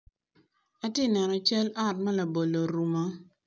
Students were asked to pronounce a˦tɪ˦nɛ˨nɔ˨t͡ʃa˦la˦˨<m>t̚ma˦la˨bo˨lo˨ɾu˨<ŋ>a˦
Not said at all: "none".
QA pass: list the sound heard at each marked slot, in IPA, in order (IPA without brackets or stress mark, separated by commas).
none, m